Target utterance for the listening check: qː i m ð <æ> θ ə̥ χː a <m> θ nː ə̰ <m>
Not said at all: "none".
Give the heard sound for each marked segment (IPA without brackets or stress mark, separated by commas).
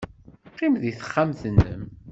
i, m, m